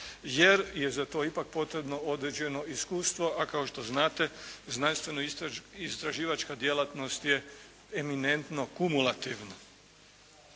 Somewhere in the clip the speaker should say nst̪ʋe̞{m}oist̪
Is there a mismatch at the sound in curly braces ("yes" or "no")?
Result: yes